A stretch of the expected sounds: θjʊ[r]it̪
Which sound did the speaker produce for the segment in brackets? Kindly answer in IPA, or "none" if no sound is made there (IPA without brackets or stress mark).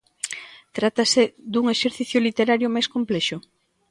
l